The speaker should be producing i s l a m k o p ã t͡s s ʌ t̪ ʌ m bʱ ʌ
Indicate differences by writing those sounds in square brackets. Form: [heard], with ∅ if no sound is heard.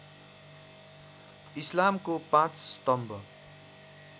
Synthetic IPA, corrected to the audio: i s l a m k o p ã t͡s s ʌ t̪ ʌ m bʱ ʌ